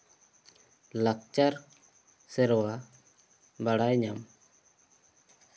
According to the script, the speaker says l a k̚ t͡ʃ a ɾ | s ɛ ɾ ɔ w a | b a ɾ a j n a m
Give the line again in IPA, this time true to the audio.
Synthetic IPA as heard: l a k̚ t͡ʃ a ɾ | s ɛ ɾ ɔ w a | b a ɽ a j ɲ a m